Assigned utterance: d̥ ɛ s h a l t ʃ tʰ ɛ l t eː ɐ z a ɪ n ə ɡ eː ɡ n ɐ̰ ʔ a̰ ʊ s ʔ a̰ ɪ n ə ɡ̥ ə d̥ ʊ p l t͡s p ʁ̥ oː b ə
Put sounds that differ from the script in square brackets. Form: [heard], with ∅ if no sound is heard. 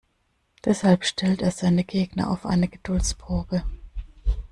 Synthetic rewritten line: d̥ ɛ s h a l [p] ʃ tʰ ɛ l t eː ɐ z a ɪ n ə ɡ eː ɡ n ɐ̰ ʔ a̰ ʊ [f] ʔ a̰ ɪ n ə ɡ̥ ə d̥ ʊ [∅] l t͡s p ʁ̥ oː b ə